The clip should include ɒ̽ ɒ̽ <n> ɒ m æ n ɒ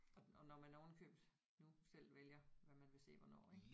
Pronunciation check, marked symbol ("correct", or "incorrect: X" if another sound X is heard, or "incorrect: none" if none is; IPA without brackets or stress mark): correct